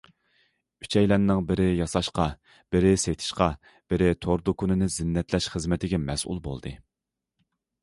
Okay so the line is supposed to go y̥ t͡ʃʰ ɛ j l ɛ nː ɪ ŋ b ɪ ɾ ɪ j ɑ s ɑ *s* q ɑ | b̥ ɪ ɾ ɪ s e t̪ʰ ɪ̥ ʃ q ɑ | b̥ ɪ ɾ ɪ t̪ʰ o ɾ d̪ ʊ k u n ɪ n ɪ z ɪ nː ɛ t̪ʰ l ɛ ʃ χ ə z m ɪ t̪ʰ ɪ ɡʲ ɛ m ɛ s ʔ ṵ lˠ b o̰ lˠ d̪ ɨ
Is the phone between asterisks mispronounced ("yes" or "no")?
yes